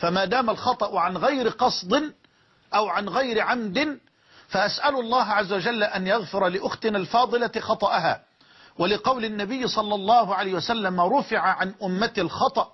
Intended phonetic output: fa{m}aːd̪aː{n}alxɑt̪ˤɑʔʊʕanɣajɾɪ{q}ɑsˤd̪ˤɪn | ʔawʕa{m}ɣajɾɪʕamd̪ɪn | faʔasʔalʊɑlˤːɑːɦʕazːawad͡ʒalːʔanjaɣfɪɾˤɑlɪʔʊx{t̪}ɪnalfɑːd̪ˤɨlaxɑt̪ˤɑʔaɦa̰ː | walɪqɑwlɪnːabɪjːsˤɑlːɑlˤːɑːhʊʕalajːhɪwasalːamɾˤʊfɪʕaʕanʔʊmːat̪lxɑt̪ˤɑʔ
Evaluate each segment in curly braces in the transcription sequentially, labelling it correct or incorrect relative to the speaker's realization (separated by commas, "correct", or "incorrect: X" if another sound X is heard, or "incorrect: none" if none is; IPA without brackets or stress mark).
correct, incorrect: m, correct, incorrect: n, correct